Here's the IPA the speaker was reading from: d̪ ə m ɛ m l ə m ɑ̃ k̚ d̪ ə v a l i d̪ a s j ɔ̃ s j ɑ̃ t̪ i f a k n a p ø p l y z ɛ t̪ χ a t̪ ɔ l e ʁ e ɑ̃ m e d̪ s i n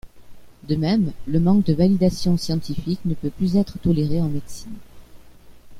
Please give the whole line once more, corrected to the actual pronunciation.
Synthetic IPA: d̪ ə m ɛ m l ə m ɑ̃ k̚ d̪ ə v a l i d̪ a s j ɔ̃ s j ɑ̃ t̪ i f i k n ə p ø p l y z ɛ t̪ χ ə t̪ ɔ l e ʁ e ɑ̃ m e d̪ s i n